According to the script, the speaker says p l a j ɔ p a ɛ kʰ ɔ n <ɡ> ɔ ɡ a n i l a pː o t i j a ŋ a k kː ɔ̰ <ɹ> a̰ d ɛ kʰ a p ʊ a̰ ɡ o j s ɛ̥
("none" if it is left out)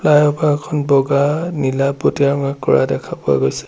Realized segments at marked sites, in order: b, ɹ

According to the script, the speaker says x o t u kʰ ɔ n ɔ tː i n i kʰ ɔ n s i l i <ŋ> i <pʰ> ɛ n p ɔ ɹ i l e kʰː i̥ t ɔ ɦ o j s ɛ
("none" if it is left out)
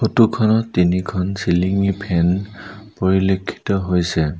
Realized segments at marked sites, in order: ŋ, pʰ

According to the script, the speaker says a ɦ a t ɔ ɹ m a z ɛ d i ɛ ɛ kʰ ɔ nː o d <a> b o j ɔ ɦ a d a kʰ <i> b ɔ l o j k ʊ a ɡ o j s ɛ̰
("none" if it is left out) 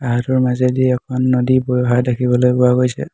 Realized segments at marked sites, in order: i, i

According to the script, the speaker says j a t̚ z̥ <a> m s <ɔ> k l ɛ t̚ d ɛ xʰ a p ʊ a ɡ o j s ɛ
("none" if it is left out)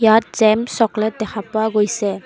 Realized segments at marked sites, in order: ɛ, ɔ

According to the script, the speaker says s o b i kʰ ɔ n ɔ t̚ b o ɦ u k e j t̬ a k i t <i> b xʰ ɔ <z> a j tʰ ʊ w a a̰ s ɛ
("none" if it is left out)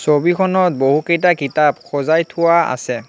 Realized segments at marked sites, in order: a, z

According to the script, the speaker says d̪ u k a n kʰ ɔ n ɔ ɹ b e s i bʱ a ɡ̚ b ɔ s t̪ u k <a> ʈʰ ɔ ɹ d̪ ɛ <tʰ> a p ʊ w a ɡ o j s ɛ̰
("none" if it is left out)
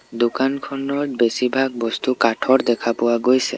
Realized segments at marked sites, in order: a, kʰ

